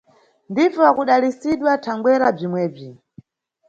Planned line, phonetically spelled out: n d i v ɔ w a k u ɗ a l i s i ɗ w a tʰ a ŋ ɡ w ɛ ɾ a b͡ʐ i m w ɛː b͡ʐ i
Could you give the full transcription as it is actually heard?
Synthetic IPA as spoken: n d i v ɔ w a k u ɗ a l i s i ɗ w a tʰ a ŋ ɡ w ɛ ɾ a b͡ʐ i m w ɛː b͡ʐ i